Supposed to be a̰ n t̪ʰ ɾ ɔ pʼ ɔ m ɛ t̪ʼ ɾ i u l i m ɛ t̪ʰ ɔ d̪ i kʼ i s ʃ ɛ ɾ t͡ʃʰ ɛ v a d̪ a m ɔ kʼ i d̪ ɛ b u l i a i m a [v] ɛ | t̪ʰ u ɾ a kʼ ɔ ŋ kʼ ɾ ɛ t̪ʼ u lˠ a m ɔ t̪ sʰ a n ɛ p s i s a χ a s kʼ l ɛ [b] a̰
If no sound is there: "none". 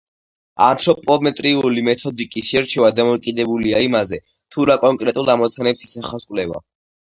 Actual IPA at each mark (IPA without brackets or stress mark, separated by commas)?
z, v